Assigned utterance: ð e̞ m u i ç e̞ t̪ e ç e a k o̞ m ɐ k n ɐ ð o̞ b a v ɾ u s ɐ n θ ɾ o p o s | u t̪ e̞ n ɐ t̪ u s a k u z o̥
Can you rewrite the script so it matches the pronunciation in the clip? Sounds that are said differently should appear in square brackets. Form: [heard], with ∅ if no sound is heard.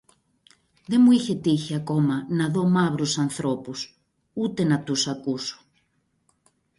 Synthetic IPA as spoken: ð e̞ m u i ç e̞ t̪ [i] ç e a k o̞ m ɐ [∅] n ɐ ð o̞ [m] a [β] ɾ u s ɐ n θ ɾ o p [u] s | u t̪ e̞ n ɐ t̪ u s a k u [s] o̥